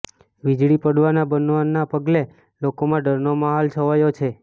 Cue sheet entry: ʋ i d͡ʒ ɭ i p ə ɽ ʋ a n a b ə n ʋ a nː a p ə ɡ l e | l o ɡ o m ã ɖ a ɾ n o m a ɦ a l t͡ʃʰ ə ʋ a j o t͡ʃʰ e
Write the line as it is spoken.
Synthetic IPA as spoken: ʋ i d͡ʒ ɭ i p ə ɽ ʋ a n a b ə n ʋ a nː a p ə ɡ l e | l o k o m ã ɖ ə ɾ n o m a ɦ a l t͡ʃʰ ə ʋ a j o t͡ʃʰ e